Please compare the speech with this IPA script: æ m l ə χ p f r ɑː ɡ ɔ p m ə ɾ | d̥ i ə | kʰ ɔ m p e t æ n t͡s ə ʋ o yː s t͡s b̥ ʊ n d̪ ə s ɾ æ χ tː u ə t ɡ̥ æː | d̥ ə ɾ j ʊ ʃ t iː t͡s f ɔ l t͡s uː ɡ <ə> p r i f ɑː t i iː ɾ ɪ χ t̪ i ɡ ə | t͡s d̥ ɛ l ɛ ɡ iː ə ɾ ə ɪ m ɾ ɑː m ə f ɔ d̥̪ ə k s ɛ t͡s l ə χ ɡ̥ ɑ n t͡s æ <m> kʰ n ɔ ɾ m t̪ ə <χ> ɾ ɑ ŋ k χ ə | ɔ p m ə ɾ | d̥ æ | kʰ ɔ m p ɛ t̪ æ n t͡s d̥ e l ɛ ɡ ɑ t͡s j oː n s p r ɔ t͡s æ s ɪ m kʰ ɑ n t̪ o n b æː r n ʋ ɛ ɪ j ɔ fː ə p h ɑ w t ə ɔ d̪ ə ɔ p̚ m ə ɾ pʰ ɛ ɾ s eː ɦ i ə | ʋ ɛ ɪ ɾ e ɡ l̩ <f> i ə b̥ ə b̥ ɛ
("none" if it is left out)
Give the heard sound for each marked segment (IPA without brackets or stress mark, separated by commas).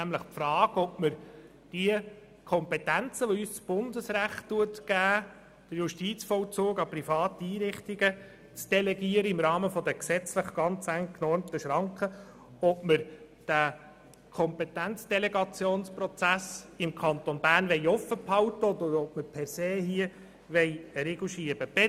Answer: ɑ, ŋ, ʃ, ʃ